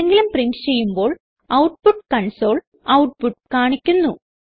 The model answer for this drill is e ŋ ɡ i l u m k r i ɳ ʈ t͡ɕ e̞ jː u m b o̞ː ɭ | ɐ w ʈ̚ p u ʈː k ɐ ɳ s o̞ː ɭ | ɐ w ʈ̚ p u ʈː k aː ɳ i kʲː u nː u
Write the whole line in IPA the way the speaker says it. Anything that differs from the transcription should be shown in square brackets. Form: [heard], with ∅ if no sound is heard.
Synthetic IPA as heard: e ŋ ɡ i l u m [p] r i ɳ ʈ t͡ɕ e̞ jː u m b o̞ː ɭ | ɐ w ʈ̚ p u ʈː k ɐ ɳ s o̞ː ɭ | ɐ w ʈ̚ p u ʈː k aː ɳ i kʲː u nː u

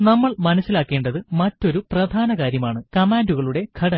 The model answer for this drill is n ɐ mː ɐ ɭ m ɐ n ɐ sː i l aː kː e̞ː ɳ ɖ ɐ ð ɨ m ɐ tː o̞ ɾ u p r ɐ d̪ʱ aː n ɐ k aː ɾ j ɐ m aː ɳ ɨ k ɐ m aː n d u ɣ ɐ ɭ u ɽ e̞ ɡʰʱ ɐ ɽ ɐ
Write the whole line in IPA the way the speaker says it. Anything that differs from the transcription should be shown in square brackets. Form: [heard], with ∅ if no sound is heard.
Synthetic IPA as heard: n ɐ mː ɐ ɭ m ɐ n ɐ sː i l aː kː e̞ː ɳ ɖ ɐ ð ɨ m ɐ tː o̞ ɾ u p r ɐ d̪ʱ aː n ɐ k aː ɾ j ɐ m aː ɳ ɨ k ɐ m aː n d u ɣ ɐ ɭ u ɽ e̞ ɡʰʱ ɐ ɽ ɐ

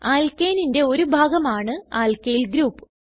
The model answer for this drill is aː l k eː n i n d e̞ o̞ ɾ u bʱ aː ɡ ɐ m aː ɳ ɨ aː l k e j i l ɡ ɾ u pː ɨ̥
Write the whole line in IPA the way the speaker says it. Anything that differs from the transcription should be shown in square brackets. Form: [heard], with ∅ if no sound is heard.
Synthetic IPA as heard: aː l k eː n i n d e̞ o̞ ɾ u bʱ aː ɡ ɐ m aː ɳ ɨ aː l k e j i l ɡ ɾ [uː] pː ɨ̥

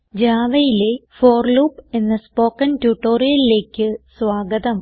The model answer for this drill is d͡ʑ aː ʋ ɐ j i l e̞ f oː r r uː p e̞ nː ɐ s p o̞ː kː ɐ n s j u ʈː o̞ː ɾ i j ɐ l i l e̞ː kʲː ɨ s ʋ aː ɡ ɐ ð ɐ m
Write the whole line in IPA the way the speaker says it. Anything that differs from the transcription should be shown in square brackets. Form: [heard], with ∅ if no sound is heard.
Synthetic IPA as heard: d͡ʑ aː ʋ ɐ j i l e̞ f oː r [l] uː p e̞ nː ɐ s p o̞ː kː ɐ n [t] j u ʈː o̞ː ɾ i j ɐ l i l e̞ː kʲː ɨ s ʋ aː ɡ ɐ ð ɐ m

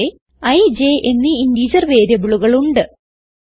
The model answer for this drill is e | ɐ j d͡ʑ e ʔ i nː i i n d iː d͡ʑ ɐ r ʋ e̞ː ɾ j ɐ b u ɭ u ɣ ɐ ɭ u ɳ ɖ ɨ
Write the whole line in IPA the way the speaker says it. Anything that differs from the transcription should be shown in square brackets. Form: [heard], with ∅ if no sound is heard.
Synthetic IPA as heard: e | ɐ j d͡ʑ e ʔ [e] nː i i n d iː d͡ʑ ɐ r ʋ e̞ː ɾ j ɐ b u ɭ u ɣ ɐ ɭ u ɳ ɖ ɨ

